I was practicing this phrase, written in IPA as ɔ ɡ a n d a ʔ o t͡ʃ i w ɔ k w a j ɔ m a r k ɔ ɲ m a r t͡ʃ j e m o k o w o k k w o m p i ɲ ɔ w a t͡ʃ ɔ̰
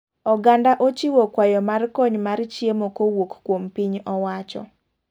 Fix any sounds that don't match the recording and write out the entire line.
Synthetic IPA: ɔ ɡ a n d a ʔ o t͡ʃ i w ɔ k w a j ɔ m a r k ɔ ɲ m a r t͡ʃ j e m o k o w o k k w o m p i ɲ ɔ w a t͡ʃ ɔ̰